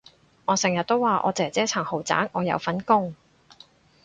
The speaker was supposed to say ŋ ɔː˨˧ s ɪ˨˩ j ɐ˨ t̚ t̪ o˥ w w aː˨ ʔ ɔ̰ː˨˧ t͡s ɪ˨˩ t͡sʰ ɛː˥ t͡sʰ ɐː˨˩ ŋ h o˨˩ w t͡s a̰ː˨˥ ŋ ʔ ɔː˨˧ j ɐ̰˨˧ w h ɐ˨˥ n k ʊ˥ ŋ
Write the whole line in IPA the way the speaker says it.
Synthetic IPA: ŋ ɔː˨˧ s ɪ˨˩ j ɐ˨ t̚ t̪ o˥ w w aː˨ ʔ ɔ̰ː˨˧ t͡s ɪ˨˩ t͡s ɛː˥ t͡sʰ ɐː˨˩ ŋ h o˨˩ w t͡s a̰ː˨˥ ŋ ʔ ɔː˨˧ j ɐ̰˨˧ w f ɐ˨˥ n k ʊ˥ ŋ